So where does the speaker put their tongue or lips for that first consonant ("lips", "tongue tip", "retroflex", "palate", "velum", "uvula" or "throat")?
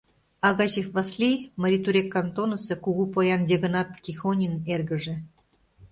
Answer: velum